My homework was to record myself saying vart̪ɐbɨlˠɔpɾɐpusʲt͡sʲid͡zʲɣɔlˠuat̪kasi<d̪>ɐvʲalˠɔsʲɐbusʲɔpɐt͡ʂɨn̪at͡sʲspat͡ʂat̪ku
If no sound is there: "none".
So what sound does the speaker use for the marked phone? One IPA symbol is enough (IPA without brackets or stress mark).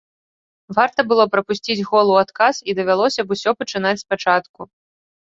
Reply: d̪